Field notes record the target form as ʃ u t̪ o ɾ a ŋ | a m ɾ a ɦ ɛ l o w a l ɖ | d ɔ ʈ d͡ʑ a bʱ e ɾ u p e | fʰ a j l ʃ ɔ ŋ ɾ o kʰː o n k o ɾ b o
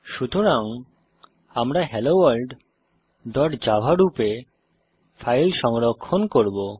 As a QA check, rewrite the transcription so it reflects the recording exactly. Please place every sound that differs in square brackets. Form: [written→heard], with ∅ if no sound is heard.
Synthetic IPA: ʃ u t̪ o ɾ a ŋ | a m ɾ a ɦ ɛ l o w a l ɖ | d ɔ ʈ d͡ʑ a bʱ [e→a] ɾ u p e | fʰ a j l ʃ ɔ ŋ ɾ o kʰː o n k o ɾ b o